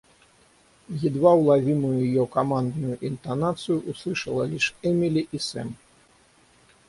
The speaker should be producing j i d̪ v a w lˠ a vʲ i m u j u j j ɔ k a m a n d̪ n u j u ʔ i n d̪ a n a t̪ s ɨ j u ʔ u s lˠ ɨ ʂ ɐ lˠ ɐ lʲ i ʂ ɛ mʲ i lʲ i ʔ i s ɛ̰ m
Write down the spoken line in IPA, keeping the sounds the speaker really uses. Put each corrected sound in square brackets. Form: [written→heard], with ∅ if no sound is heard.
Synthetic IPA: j i d̪ v a w lˠ a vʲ i m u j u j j ɔ k a m a n d̪ n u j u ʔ i n [d̪→t̪] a n a t̪ s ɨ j u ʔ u s lˠ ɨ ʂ ɐ lˠ ɐ lʲ i ʂ ɛ mʲ i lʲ i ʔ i s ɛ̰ m